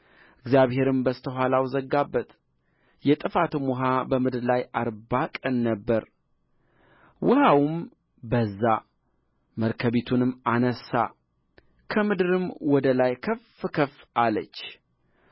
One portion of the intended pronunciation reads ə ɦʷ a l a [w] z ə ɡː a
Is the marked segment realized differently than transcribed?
no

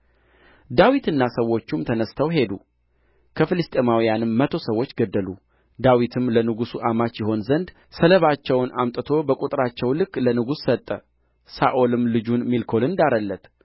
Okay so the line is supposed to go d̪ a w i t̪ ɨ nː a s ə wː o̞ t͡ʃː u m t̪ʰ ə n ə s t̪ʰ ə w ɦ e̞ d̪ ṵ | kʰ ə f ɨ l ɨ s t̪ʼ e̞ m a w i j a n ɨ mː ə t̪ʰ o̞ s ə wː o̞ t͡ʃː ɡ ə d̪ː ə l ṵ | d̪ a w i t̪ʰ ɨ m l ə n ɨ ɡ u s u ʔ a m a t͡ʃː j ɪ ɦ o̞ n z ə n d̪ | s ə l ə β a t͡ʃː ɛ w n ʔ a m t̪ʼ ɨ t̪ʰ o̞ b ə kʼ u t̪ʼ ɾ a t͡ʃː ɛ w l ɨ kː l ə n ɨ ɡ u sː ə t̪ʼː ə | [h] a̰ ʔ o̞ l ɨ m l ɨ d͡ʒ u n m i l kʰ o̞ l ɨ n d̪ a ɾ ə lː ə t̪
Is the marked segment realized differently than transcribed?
yes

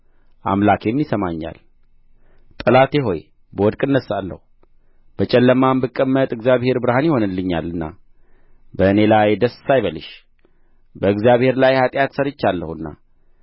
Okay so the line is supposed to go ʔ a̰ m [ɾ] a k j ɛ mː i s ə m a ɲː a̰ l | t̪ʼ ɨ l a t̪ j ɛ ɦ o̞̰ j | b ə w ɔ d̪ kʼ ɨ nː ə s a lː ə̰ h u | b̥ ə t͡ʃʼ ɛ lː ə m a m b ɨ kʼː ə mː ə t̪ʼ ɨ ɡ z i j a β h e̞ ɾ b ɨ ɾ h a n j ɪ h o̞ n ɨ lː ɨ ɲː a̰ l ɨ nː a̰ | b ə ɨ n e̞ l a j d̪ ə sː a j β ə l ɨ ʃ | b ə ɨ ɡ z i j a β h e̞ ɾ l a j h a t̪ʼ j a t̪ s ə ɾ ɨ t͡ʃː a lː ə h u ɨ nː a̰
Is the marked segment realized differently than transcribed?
yes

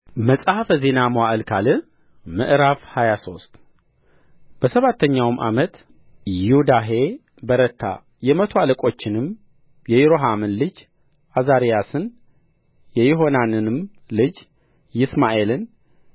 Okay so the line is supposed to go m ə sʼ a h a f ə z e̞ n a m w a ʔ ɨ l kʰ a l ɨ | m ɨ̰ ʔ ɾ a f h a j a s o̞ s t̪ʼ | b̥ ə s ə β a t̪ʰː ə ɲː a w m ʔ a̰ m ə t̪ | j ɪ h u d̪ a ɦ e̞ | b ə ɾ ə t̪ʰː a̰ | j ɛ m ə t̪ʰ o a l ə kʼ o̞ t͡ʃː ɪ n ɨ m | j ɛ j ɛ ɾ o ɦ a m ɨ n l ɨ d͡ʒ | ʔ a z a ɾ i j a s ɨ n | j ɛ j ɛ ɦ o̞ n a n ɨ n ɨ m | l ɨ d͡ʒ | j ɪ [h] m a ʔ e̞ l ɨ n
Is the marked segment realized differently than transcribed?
yes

